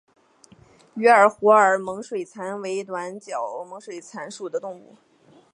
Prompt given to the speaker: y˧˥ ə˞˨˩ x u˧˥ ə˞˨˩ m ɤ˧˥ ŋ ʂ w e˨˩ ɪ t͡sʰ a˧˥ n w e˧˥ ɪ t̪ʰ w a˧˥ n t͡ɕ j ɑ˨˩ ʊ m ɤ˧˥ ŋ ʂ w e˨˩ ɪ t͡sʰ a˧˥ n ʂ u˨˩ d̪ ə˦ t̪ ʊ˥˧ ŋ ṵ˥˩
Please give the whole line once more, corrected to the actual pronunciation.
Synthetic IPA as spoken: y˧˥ ə˞˨˩ x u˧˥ ə˞˨˩ m ɤ˧˥ ŋ ʂ w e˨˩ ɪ t͡sʰ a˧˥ n w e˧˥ ɪ t̪ w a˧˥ n t͡ɕ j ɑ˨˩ ʊ m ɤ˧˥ ŋ ʂ w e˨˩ ɪ t͡sʰ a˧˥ n ʂ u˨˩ d̪ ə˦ t̪ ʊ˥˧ ŋ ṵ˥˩

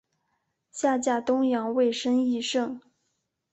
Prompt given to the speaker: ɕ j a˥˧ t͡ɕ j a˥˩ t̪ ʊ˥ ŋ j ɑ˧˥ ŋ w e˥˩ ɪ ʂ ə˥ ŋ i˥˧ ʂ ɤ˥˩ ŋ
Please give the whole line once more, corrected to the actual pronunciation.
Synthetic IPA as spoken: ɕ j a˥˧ t͡ɕ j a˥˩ t̪ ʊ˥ ŋ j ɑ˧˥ ŋ w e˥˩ ɪ ʂ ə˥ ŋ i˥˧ ʂ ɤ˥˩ ŋ

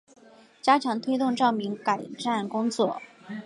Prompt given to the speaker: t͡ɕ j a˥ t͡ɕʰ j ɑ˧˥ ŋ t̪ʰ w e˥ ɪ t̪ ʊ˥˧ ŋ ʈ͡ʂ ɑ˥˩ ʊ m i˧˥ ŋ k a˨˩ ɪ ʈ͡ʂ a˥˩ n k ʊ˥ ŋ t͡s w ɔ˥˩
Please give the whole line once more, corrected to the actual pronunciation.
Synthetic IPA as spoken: t͡ɕ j a˥ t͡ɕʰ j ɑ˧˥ ŋ t̪ʰ w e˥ ɪ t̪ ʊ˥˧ ŋ ʈ͡ʂ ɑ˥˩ ʊ m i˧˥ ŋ k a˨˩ ɪ ʈ͡ʂ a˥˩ n k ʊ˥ ŋ t͡s w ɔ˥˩

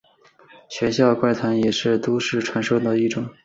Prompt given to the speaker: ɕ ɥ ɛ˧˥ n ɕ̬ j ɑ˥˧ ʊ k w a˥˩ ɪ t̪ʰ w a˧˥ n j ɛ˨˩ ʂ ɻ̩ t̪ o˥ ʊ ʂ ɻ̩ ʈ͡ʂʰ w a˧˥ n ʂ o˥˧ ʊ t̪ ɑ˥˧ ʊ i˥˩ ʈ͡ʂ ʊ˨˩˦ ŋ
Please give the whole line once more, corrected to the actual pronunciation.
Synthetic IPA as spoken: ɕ ɥ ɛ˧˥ n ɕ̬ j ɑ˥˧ ʊ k w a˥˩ ɪ t̪ʰ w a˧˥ n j ɛ˨˩ ʂ ɻ̩ t̪ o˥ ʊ ʂ ɻ̩ ʈ͡ʂʰ w a˧˥ n ʂ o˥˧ ʊ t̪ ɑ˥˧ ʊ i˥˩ ʈ͡ʂ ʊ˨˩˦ ŋ

